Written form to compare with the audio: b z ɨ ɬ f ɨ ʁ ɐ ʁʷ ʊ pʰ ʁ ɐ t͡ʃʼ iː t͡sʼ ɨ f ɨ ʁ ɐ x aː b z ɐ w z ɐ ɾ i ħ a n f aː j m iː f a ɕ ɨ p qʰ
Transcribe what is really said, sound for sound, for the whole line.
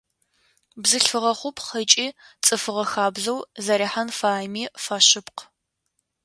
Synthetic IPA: b z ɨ ɬ f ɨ ʁ ɐ χʷ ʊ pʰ χ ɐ t͡ʃʼ iː t͡sʼ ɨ f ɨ ʁ ɐ x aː b z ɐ w z ɐ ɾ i ħ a n f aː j m iː f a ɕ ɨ p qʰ